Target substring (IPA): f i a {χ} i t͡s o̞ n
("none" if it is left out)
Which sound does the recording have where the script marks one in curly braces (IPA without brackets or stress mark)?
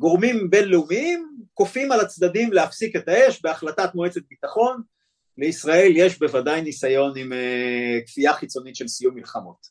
χ